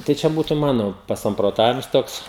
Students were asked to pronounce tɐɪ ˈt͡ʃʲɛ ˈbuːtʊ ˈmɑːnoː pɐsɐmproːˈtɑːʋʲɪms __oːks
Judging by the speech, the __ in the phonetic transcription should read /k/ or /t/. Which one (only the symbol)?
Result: t